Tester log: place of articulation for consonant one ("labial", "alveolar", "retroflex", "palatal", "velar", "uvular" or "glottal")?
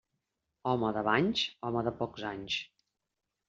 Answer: labial